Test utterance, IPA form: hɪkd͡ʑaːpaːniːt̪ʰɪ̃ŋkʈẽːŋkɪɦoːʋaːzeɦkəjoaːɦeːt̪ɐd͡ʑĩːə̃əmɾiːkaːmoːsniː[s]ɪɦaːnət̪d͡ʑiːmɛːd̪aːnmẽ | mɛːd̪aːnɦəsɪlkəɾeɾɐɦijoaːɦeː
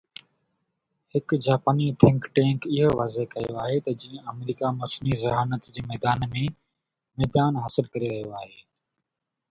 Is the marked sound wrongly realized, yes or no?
yes